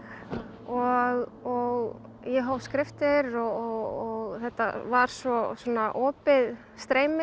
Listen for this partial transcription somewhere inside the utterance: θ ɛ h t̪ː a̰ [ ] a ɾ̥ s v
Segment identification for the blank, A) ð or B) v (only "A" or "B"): B